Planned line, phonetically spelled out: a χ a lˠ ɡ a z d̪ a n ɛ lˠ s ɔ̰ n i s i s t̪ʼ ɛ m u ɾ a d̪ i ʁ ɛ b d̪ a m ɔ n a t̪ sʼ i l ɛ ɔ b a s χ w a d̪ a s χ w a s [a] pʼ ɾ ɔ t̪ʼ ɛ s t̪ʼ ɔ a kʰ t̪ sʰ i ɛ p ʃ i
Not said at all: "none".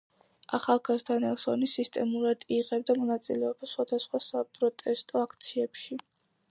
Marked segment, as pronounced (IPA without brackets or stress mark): a